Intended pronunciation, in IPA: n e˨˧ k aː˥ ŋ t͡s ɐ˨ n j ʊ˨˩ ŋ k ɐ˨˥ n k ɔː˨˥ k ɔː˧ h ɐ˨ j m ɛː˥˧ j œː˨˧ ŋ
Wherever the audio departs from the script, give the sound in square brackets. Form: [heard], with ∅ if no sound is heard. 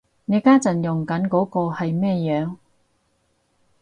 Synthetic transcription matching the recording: n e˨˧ k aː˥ [∅] t͡s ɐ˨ n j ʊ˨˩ ŋ k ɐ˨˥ n k ɔː˨˥ k ɔː˧ h ɐ˨ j m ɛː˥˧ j œː˨˧ ŋ